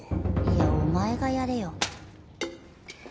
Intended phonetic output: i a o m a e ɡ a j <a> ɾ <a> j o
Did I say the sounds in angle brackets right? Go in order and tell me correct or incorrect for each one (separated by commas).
correct, incorrect